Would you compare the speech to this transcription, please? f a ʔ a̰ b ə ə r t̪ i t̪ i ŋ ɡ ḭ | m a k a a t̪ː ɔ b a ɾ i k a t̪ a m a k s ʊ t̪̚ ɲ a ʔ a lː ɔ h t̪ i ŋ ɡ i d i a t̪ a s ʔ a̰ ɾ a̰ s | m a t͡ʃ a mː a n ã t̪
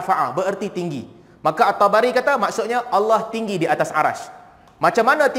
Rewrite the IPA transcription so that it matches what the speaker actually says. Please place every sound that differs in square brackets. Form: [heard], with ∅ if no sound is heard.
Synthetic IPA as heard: f a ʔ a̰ b ə ə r t̪ i t̪ i ŋ ɡ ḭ | m a k a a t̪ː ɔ b a ɾ i k a t̪ a m a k s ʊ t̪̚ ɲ a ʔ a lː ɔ h t̪ i ŋ ɡ i d i a t̪ a s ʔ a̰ ɾ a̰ s | m a t͡ʃ a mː a n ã t̪